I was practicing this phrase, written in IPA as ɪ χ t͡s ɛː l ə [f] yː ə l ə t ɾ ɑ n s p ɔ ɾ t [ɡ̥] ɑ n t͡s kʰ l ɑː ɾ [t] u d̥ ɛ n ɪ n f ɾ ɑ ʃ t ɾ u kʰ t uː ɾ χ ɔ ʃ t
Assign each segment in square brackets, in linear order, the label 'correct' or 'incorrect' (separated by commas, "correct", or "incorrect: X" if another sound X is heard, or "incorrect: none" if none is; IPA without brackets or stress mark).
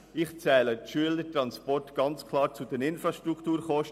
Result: incorrect: ʃ, correct, incorrect: t͡s